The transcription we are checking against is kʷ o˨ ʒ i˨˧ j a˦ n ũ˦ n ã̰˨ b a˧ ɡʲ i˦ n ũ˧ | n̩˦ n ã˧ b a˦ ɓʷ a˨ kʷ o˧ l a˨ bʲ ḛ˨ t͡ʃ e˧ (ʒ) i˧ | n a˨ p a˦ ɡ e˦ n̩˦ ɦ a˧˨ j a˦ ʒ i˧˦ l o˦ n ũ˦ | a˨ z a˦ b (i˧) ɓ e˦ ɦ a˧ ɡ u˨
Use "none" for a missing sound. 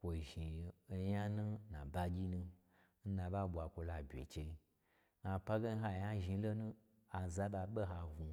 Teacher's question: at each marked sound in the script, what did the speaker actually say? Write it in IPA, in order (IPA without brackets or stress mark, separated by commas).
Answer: none, a˧